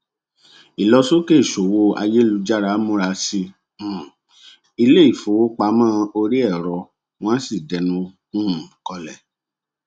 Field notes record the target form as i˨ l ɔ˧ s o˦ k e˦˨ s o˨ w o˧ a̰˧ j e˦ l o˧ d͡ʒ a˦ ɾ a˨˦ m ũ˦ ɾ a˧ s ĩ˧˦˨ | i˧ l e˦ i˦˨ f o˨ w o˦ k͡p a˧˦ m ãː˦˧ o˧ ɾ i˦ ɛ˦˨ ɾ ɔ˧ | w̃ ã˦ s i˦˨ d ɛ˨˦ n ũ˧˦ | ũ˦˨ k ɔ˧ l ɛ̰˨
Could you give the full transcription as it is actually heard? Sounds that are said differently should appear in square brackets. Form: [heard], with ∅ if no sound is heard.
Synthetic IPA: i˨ l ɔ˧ s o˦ k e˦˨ [ʃ] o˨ w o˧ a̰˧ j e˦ l [u˧] d͡ʒ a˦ ɾ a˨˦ m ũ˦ ɾ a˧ s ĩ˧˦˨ | i˧ l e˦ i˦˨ f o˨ w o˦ k͡p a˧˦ m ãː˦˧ o˧ ɾ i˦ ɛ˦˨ ɾ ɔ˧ | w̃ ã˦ s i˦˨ d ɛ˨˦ n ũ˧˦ | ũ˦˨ k ɔ˧ l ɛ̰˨